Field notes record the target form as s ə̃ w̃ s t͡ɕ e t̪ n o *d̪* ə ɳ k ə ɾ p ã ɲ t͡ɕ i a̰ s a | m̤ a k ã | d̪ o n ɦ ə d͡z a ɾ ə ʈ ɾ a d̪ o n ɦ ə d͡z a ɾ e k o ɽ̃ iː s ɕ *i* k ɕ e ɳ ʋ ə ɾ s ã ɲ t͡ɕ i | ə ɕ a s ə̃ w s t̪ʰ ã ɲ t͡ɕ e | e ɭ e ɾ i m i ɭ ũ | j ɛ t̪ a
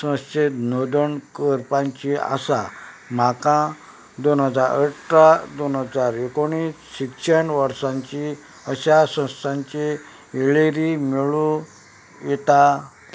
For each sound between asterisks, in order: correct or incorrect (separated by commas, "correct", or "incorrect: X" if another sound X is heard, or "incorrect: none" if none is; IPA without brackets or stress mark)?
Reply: correct, correct